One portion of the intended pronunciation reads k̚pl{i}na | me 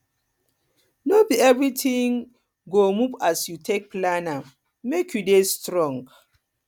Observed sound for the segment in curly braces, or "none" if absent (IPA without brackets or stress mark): a